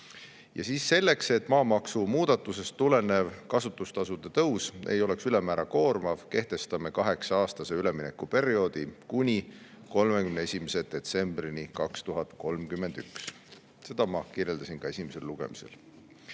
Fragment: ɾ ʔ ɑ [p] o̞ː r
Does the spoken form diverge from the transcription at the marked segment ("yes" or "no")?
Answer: yes